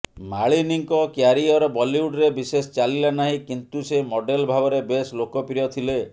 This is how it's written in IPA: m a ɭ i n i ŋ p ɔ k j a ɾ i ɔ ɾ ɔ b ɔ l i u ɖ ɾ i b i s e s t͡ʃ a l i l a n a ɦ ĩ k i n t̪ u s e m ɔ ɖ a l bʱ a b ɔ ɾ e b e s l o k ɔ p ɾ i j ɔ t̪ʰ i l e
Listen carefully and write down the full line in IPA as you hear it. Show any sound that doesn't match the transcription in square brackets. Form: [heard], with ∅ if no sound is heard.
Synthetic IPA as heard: m a ɭ i n i ŋ [k] ɔ k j a ɾ i ɔ ɾ ɔ b ɔ l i u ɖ ɾ [e] b i s e s t͡ʃ a l i l a n a ɦ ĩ k i n t̪ u s e m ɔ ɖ [e] l bʱ a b ɔ ɾ e b e s l o k ɔ p ɾ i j ɔ t̪ʰ i l e